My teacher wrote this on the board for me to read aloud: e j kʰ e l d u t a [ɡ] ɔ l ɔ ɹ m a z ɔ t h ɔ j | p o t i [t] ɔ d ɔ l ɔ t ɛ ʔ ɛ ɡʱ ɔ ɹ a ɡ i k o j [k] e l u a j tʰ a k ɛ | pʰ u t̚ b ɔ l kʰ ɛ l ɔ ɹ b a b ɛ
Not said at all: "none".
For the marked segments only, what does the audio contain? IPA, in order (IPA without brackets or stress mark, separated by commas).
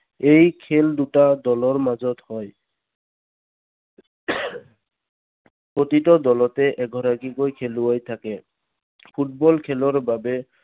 d, t, kʰ